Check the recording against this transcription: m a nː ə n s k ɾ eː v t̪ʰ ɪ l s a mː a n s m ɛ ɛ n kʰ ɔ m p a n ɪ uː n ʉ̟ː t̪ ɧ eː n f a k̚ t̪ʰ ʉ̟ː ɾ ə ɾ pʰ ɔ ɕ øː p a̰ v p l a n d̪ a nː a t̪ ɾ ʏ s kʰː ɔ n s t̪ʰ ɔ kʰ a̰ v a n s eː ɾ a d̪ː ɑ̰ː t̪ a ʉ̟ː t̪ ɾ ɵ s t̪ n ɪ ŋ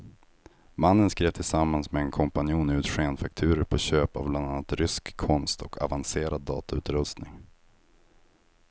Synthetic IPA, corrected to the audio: m a nː ə n s k ɾ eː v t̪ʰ ɪ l s a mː a n s m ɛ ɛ n kʰ ɔ m p a n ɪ uː n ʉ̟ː t̪ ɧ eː n f a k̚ t̪ʰ ʉ̟ː ɾ ə ɾ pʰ ɔ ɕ øː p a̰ v b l a n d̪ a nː a t̪ ɾ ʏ s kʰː ɔ n s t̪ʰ ɔ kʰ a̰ v a n s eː ɾ a d̪ː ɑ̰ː t̪ a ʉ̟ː t̪ ɾ ɵ s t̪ n ɪ ŋ